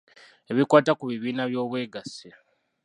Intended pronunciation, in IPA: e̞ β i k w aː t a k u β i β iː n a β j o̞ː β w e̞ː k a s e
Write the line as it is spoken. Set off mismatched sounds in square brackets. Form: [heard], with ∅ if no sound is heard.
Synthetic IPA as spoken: e̞ β i k w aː t a k u β i β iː n a β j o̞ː β w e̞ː [ɡ] a s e